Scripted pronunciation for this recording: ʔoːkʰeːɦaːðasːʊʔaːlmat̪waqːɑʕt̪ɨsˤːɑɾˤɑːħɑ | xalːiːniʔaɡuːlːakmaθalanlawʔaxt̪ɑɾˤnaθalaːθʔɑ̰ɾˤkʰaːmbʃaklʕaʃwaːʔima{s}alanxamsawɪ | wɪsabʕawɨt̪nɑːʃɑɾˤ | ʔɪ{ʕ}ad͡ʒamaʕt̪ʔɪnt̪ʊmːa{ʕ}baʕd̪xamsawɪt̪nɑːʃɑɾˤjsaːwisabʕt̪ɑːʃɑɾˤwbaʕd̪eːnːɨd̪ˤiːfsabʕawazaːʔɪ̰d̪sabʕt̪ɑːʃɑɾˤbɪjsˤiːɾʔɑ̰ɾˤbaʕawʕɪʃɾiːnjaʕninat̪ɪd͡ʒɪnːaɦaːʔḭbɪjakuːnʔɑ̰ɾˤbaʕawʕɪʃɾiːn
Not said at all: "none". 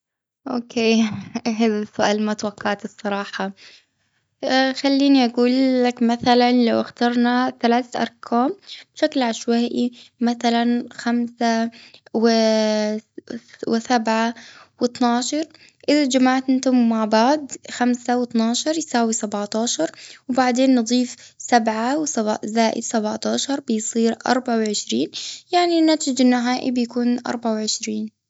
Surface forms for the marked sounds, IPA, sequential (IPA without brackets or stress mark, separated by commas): θ, ð, ʕ